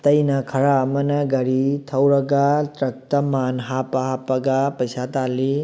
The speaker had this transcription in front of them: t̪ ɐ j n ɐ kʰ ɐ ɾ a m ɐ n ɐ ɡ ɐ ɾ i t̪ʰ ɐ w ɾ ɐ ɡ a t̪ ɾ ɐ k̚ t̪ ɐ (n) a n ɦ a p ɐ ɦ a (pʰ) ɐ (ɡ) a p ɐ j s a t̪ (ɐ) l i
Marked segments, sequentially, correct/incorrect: incorrect, incorrect, correct, incorrect

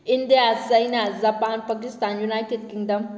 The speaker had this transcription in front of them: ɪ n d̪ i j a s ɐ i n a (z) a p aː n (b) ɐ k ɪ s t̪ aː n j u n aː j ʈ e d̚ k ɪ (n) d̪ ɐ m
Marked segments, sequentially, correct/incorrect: correct, incorrect, incorrect

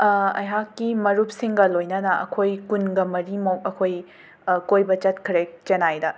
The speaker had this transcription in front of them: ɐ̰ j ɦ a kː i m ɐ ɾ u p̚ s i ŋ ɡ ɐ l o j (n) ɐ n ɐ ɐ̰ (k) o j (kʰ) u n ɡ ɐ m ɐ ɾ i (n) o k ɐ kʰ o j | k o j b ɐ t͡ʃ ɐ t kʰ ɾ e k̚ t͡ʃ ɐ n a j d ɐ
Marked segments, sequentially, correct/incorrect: correct, incorrect, incorrect, incorrect

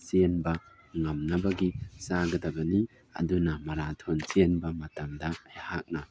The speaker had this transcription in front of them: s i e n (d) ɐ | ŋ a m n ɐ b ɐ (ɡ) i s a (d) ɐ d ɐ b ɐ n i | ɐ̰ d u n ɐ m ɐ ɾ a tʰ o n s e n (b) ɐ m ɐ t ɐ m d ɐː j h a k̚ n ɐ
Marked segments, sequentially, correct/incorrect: incorrect, correct, incorrect, correct

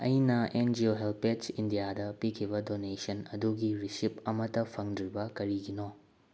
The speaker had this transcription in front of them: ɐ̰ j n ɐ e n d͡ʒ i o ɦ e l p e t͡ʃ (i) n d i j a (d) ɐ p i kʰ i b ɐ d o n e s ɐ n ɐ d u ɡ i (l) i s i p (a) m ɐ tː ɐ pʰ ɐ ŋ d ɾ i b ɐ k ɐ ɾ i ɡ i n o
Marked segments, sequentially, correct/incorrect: correct, correct, incorrect, incorrect

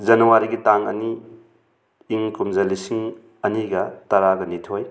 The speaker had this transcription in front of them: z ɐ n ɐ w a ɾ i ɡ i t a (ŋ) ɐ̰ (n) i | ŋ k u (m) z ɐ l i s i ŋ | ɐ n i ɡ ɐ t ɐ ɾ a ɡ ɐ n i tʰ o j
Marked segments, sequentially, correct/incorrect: correct, correct, correct

